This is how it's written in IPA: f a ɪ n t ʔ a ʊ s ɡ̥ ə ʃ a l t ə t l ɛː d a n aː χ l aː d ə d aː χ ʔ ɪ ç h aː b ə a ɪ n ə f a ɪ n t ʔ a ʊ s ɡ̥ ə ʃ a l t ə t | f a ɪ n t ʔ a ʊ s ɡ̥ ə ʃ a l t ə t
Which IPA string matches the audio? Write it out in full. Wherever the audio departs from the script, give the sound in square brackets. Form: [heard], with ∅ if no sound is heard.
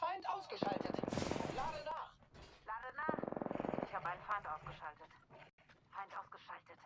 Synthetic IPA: f a ɪ n t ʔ a ʊ s ɡ̥ ə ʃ a l t ə t l [aː] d [ə] n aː χ l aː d ə [n] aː χ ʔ ɪ ç h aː b ə a ɪ n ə f a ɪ n t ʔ a ʊ s ɡ̥ ə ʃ a l t ə t | f a ɪ n t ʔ a ʊ s ɡ̥ ə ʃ a l t ə t